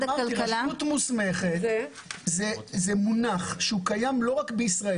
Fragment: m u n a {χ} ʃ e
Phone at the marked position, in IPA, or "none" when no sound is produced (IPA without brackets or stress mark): χ